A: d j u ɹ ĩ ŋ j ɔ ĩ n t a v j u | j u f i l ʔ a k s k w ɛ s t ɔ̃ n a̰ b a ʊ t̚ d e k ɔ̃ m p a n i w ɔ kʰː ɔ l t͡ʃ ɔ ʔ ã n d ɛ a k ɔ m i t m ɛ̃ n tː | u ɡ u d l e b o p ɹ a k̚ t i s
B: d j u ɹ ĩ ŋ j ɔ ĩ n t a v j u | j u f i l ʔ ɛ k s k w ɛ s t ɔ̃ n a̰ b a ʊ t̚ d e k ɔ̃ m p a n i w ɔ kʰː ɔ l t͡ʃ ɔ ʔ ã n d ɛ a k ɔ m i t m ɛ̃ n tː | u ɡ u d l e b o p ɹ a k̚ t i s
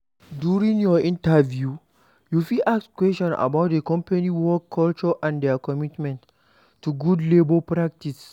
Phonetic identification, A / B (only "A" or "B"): A